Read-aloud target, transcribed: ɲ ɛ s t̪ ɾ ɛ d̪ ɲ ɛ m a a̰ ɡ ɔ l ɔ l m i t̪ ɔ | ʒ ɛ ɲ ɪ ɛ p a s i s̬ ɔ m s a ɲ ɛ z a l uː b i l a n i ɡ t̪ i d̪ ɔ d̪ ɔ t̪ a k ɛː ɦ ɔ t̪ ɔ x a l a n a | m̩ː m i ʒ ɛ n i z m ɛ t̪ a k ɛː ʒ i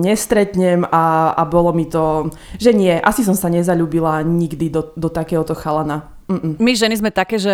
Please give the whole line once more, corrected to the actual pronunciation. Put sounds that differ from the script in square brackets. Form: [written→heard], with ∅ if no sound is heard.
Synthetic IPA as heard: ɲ ɛ s t̪ ɾ ɛ [d̪→t̪] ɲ ɛ m a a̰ [ɡ→b] ɔ l ɔ [l→∅] m i t̪ ɔ | ʒ ɛ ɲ ɪ ɛ [p→ʔ] a s i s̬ ɔ m s a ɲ ɛ z a [l→ʎ] uː b i l a [n→ɲ] i ɡ [t̪→d̪] i d̪ ɔ d̪ ɔ t̪ a k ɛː ɦ ɔ t̪ ɔ x a l a n a | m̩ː m i ʒ ɛ n i z m ɛ t̪ a k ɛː ʒ [i→ɛ]